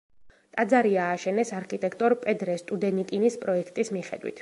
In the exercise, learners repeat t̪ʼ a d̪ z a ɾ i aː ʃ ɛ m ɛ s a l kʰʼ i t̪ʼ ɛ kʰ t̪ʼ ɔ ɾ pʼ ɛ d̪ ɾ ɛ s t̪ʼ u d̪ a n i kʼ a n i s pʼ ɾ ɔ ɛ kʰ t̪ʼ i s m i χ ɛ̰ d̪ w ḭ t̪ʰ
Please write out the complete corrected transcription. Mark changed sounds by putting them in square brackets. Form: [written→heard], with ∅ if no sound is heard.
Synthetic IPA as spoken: t̪ʼ a d̪ z a ɾ i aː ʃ ɛ [m→n] ɛ s a [l→ɾ] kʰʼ i t̪ʼ ɛ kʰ t̪ʼ ɔ ɾ pʼ ɛ d̪ ɾ ɛ s t̪ʼ u d̪ [a→ɛ] n i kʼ [a→i] n i s pʼ ɾ ɔ ɛ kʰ t̪ʼ i s m i χ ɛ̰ d̪ w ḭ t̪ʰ